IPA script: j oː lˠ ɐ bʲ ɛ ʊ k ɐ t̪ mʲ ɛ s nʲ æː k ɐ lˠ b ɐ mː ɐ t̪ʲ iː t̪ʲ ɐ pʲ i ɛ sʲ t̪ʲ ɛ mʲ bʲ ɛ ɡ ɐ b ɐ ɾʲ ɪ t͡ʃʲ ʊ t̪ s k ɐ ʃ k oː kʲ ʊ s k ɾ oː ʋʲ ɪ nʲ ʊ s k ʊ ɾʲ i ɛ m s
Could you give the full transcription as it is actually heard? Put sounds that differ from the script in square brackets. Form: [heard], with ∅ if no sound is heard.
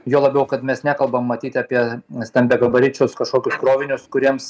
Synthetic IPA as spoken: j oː lˠ ɐ bʲ ɛ ʊ k ɐ t̪ mʲ ɛ s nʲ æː k ɐ lˠ b ɐ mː ɐ t̪ʲ iː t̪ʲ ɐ pʲ i ɛ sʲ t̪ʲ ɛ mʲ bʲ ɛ ɡ ɐ b ɐ ɾʲ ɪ t͡ʃʲ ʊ [∅] s k ɐ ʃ k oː kʲ ʊ s k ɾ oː ʋʲ ɪ nʲ ʊ s k ʊ ɾʲ i ɛ m s